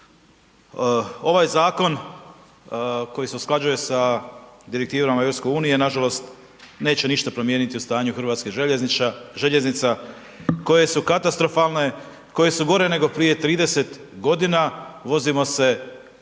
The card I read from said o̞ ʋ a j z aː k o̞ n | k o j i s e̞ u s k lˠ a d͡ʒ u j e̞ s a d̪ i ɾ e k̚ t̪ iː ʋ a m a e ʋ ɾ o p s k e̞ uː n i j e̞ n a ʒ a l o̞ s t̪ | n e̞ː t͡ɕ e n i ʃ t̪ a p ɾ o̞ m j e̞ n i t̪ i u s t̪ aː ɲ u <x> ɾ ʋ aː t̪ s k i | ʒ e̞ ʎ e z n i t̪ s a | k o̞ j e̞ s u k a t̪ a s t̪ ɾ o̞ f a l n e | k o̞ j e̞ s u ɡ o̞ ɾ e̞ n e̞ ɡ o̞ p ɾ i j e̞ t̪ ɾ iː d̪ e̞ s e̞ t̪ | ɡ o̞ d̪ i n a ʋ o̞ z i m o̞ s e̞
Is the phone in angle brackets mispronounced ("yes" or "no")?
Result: no